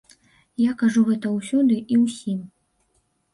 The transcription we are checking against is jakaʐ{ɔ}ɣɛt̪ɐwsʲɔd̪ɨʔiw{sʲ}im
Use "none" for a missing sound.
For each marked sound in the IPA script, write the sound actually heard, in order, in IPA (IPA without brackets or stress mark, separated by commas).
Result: u, sʲ